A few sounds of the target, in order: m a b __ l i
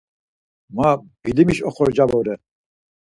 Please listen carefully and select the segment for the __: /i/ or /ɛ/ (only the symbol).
i